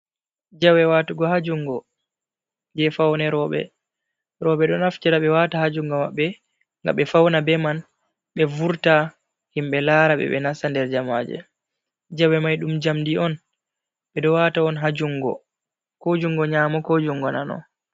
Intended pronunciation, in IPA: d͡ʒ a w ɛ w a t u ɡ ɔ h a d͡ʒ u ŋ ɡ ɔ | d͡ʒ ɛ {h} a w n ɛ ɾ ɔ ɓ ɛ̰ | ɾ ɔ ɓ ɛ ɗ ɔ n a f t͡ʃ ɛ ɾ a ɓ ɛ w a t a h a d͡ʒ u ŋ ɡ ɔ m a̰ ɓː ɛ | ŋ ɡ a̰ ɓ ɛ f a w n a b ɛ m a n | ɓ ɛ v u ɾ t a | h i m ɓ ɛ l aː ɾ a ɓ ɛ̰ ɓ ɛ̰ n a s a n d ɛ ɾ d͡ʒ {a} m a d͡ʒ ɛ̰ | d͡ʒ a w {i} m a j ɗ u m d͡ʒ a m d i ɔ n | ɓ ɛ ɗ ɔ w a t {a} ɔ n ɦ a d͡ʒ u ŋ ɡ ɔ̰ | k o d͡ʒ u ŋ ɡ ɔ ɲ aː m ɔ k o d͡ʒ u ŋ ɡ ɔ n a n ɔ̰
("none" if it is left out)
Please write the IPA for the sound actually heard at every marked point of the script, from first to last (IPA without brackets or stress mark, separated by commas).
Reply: f, a, ɛ, a